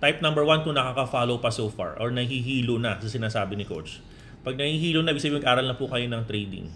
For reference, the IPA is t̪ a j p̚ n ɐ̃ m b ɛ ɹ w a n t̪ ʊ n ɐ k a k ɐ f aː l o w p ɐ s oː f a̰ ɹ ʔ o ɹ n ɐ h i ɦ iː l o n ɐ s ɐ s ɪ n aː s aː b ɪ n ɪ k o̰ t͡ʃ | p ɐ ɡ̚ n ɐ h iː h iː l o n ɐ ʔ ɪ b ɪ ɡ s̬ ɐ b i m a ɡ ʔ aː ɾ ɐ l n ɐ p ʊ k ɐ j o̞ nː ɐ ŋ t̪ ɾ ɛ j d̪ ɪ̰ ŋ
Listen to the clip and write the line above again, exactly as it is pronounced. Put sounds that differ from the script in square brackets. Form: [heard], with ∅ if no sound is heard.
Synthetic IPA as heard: t̪ a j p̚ n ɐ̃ m b ɛ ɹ w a n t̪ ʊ n ɐ k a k ɐ f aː l o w p ɐ s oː f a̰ ɹ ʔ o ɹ n ɐ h i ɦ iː l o n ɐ s ɐ s ɪ n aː s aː b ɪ n ɪ k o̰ t͡ʃ | p ɐ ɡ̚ n ɐ h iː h iː l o n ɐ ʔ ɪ b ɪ ɡ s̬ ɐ b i m [ɐ] ɡ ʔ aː ɾ ɐ l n ɐ p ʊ k ɐ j o̞ [n] ɐ ŋ t̪ ɾ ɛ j d̪ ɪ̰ ŋ